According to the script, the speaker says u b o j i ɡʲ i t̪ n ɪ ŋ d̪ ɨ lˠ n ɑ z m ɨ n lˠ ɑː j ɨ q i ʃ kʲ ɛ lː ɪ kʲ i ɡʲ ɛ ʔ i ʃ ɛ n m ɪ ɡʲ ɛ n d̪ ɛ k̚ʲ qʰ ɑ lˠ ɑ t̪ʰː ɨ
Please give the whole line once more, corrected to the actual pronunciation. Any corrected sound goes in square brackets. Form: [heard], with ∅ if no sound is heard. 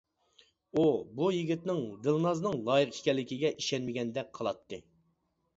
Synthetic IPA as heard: u b [u] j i ɡʲ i t̪ n ɪ ŋ d̪ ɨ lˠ n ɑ z [n] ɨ [ŋ] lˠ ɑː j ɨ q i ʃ kʲ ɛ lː ɪ kʲ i ɡʲ ɛ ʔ i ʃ ɛ n m ɪ ɡʲ ɛ n d̪ ɛ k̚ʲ qʰ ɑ lˠ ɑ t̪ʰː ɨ